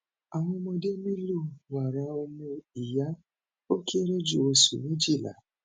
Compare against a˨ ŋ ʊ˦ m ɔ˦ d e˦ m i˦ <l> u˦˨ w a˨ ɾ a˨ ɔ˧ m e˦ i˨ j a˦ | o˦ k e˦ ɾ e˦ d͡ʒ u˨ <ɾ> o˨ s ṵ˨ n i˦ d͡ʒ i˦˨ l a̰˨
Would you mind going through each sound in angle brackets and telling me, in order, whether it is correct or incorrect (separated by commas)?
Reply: correct, incorrect